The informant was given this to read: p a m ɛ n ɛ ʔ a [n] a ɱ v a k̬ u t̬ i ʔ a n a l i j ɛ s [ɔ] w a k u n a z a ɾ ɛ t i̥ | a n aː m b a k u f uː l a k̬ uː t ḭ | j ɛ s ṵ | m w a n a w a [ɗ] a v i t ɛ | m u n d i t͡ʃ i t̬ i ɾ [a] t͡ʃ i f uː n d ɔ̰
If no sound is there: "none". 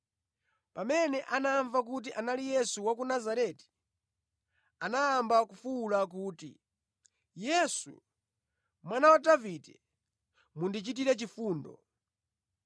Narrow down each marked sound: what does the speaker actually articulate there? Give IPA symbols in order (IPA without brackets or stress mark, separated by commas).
n, u, d, ɛ